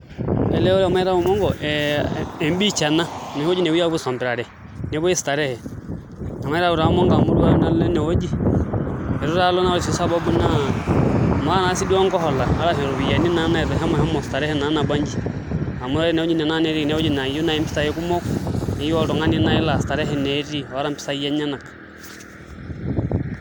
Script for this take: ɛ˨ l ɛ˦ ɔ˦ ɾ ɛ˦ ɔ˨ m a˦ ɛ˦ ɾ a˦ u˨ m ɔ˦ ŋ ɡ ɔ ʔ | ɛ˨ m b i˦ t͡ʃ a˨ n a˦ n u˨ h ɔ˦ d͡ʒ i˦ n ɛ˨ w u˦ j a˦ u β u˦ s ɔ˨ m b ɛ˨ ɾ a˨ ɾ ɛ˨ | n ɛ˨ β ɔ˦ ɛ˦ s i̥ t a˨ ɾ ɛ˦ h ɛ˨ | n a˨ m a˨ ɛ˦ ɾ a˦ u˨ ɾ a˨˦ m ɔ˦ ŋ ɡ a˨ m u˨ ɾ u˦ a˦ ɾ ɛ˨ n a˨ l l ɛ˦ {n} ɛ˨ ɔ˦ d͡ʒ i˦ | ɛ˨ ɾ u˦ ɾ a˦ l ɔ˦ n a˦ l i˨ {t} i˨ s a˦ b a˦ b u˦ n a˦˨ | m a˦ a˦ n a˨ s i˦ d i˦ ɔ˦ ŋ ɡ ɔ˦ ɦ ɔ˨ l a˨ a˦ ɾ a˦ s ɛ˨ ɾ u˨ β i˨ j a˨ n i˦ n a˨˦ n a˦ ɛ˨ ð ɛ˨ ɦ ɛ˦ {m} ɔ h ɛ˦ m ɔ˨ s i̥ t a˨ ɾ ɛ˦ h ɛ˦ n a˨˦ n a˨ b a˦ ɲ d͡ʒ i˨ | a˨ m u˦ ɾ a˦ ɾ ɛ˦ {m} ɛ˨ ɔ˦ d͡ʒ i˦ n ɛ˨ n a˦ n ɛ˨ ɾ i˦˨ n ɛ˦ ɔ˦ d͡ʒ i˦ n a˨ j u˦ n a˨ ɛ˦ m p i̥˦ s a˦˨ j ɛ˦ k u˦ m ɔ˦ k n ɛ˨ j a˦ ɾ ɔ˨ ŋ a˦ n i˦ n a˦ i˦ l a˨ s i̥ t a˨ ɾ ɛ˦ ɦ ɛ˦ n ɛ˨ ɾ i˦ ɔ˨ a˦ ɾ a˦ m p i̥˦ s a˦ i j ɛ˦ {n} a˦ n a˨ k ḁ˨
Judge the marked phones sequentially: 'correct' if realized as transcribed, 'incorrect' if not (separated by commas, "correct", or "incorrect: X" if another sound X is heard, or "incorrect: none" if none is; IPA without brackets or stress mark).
correct, incorrect: s, correct, incorrect: n, incorrect: ɲ